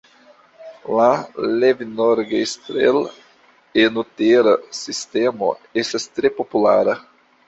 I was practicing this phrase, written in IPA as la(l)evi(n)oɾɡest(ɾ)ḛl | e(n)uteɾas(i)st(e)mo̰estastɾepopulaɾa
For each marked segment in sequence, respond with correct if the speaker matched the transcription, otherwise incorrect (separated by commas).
correct, correct, correct, correct, correct, correct